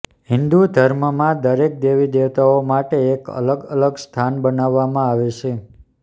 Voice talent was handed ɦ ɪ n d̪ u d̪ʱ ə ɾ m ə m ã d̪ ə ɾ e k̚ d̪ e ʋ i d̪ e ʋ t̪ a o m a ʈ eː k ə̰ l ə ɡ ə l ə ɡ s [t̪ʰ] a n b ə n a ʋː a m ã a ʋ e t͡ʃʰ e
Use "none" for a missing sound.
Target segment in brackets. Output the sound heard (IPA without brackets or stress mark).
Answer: t̪ʰ